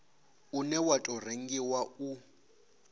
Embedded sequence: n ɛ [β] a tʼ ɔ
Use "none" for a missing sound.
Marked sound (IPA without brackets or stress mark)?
w